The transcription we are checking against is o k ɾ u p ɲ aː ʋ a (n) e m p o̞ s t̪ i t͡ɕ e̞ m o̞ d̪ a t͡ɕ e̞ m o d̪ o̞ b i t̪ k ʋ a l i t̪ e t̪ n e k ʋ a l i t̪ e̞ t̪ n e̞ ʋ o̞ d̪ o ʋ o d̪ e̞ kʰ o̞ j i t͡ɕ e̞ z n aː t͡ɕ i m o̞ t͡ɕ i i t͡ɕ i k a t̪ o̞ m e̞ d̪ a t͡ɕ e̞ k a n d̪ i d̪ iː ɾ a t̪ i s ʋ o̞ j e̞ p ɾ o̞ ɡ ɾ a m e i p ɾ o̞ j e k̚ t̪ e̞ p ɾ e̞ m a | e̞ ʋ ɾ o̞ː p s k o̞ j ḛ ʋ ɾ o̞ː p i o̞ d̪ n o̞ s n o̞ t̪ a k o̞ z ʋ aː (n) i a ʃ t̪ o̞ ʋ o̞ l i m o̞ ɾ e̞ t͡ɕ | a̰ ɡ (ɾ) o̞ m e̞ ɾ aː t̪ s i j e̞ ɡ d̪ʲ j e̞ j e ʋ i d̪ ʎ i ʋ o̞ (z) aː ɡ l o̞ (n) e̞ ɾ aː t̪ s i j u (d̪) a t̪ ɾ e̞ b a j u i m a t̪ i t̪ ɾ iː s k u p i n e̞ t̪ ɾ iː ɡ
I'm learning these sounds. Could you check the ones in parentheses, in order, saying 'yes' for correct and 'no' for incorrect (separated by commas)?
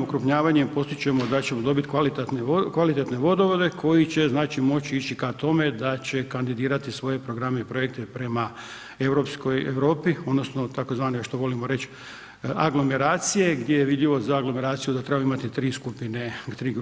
no, yes, no, yes, no, yes